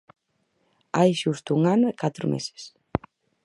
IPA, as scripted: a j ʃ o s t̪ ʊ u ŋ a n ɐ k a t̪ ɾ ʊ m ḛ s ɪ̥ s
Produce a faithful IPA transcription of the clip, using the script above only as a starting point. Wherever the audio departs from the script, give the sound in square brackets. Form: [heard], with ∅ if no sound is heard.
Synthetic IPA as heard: a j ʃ [u] s t̪ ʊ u ŋ a n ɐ k a t̪ ɾ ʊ m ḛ s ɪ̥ s